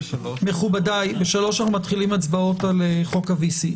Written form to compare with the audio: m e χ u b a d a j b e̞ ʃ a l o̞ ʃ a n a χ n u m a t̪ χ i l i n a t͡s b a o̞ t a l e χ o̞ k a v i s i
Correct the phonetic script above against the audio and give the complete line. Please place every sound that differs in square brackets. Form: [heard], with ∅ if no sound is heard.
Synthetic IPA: m e χ u b a d a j b e̞ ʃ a l o̞ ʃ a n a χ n u m a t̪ χ i l i [m] a t͡s b a o̞ t a l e χ o̞ k a v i s i